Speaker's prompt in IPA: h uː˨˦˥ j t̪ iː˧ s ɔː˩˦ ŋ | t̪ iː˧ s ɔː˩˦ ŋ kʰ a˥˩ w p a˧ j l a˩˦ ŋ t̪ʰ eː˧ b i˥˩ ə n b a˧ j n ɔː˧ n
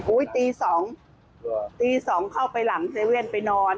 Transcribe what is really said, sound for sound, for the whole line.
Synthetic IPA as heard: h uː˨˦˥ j t̪ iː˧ s ɔː˩˦ ŋ | t̪ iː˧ s ɔː˩˦ ŋ kʰ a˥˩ w p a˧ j l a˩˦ ŋ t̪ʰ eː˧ w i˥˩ ə n p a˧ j n ɔː˧ n